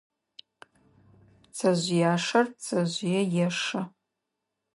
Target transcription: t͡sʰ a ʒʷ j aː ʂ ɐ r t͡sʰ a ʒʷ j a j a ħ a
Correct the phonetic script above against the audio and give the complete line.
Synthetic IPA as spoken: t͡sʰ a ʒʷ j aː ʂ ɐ r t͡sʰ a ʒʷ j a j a ʂ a